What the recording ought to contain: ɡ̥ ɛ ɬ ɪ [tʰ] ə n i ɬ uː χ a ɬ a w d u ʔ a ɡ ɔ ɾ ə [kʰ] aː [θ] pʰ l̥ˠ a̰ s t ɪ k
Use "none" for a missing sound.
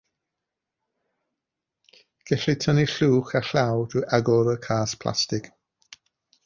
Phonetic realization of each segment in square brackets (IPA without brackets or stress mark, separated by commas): tʰ, kʰ, s